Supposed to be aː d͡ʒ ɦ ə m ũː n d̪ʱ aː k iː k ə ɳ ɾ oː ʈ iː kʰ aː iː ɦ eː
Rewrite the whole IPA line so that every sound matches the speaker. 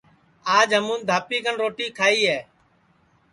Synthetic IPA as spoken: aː d͡ʒ ɦ ə m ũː n d̪ʱ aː p iː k ə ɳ ɾ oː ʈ iː kʰ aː iː ɦ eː